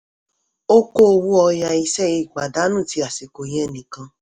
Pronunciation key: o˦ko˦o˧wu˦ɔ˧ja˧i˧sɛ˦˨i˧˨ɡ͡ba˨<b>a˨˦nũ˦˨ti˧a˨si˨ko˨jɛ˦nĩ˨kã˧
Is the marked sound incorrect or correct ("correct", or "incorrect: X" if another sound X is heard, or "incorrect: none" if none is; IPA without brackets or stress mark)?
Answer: incorrect: d